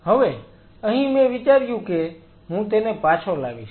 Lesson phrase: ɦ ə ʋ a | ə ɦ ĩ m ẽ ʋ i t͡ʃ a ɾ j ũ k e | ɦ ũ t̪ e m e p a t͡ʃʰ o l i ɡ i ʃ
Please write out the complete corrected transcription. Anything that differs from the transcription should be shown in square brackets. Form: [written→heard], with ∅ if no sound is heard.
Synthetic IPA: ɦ ə ʋ [a→e] | ə ɦ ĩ m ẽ ʋ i t͡ʃ a ɾ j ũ k e | ɦ ũ t̪ e [m→n] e p a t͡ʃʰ o l [i→a] ɡ i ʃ